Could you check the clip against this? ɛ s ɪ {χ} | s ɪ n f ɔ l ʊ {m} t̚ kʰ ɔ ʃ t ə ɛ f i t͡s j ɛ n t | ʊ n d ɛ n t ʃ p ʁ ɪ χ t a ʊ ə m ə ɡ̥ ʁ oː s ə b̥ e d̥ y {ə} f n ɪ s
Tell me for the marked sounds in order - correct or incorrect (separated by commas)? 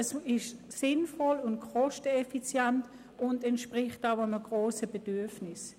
incorrect, incorrect, incorrect